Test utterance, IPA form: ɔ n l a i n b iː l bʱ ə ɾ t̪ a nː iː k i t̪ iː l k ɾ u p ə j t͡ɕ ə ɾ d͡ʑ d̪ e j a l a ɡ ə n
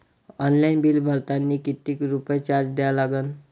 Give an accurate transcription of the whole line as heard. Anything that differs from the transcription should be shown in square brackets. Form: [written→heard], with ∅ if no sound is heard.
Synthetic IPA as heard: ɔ n l a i n b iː l bʱ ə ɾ t̪ a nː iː k i t̪ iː [l→∅] k ɾ u p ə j t͡ɕ [ə→a] ɾ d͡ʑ d̪ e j a l a ɡ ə n

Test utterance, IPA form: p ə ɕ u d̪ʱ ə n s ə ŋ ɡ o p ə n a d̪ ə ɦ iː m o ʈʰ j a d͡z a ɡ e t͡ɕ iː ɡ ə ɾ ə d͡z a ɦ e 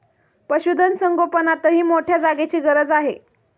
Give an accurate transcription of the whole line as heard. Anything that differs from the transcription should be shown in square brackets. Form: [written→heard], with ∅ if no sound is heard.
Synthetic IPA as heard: p ə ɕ u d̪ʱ ə n s ə ŋ ɡ o p ə n a [d̪→t̪] ə ɦ iː m o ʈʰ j a d͡z a ɡ e t͡ɕ iː ɡ ə ɾ ə d͡z a ɦ e

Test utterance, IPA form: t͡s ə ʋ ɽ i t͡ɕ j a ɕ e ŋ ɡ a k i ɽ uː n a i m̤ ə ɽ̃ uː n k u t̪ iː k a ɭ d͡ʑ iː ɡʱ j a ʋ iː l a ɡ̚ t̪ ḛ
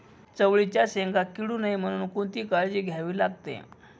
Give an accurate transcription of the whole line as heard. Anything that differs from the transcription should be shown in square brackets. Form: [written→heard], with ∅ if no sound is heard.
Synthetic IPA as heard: t͡s ə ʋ [ɽ→ɭ] i t͡ɕ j a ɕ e ŋ ɡ a k i ɽ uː n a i m̤ ə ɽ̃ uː n k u t̪ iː k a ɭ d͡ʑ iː ɡʱ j a ʋ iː l a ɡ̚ t̪ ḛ

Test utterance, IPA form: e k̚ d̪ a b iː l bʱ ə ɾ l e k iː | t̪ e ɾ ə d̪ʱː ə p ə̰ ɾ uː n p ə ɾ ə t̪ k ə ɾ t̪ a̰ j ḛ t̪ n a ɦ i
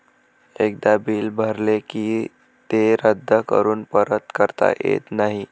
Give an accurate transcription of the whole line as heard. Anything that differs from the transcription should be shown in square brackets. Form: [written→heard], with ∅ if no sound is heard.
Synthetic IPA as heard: e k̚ d̪ a b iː l bʱ ə ɾ l e k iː | t̪ e ɾ ə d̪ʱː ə [p→k] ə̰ ɾ uː n p ə ɾ ə t̪ k ə ɾ t̪ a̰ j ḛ t̪ n a ɦ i

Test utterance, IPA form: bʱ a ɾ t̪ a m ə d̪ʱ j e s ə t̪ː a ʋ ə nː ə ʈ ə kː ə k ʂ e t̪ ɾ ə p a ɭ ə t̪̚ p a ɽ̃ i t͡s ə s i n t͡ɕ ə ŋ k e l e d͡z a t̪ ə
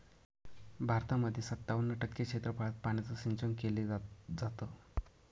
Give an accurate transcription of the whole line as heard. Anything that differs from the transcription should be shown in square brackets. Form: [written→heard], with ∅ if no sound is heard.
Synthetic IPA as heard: bʱ a ɾ t̪ a m ə d̪ʱ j e s ə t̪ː a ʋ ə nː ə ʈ ə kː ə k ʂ e t̪ ɾ ə p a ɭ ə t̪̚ p a ɽ̃ i t͡s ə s i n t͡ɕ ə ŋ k e l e d͡z a t̪ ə

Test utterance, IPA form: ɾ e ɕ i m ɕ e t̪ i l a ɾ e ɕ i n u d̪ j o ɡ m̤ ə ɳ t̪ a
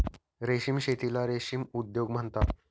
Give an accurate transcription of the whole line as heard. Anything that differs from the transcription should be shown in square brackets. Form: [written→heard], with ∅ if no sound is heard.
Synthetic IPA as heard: ɾ e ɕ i m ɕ e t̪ i l a ɾ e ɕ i [n→m] u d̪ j o ɡ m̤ ə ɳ t̪ a

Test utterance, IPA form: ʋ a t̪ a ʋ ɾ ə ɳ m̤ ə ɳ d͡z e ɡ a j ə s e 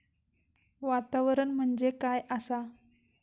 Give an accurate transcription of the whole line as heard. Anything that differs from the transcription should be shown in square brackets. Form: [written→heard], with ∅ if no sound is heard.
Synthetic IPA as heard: ʋ a t̪ a ʋ ɾ ə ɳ m̤ ə ɳ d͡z e [ɡ→k] a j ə s [e→a]

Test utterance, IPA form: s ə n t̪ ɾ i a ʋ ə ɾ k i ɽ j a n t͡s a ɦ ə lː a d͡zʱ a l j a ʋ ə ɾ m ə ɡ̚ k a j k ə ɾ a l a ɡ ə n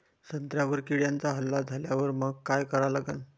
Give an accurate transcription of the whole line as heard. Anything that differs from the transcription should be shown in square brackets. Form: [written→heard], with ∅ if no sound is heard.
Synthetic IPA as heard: s ə n t̪ ɾ [i→j] a ʋ ə ɾ k i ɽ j a n t͡s a ɦ ə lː a d͡zʱ a l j a ʋ ə ɾ m ə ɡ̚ k a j k ə ɾ a l a ɡ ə n

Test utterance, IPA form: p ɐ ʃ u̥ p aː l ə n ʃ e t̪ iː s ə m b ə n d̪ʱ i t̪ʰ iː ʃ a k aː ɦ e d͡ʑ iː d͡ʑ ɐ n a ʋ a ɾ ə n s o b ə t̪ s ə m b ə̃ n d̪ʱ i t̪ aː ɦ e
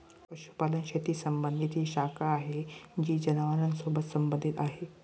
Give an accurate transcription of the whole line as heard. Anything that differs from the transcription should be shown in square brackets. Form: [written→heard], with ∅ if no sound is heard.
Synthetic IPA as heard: p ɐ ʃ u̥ p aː l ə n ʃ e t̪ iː s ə m b ə n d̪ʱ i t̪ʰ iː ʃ a k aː ɦ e d͡ʑ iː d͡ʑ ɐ n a ʋ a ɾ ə n s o b ə t̪ s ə m b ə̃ n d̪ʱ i t̪ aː ɦ e

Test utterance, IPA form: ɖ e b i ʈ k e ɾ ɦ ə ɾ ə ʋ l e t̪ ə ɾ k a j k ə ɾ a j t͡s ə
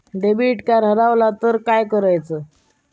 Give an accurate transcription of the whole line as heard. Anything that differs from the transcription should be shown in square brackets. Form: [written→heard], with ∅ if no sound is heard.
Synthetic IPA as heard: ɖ e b i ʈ k [e→a] ɾ ɦ ə ɾ [ə→a] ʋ l [e→a] t̪ ə ɾ k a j k ə ɾ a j t͡s ə

